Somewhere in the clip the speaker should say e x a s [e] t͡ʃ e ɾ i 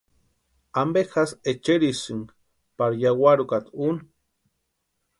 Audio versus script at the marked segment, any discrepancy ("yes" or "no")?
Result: no